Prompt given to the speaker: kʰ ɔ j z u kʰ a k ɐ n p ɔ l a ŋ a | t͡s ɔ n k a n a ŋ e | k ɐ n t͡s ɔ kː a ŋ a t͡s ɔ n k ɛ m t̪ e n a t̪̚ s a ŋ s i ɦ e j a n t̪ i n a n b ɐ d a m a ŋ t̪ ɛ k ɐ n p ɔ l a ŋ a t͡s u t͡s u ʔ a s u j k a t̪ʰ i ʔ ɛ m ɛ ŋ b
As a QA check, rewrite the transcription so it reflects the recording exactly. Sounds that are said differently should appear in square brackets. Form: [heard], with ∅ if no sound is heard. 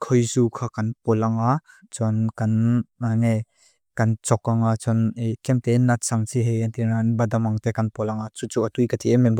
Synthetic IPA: kʰ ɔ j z u kʰ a k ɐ n p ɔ l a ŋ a | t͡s ɔ n k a n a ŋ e | k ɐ n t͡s ɔ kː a ŋ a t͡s ɔ n k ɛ m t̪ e n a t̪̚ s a ŋ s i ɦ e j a n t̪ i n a n b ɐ d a m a ŋ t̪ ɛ k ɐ n p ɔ l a ŋ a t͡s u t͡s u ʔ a [t] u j k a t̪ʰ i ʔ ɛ m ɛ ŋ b